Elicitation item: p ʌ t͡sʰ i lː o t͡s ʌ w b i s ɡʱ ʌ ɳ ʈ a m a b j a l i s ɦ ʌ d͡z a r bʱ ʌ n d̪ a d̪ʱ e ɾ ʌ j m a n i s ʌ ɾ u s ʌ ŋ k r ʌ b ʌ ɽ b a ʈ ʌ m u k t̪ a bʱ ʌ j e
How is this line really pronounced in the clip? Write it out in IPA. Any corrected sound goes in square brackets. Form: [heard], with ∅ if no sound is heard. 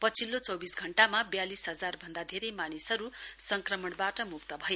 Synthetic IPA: p ʌ t͡sʰ i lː o t͡s ʌ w b i s ɡʱ ʌ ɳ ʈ a m a b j a l i s ɦ ʌ d͡z a r bʱ ʌ n d̪ a d̪ʱ e ɾ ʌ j m a n i s ʌ ɾ u s ʌ ŋ k r ʌ [m] ʌ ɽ b a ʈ ʌ m u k t̪ [ʌ] bʱ ʌ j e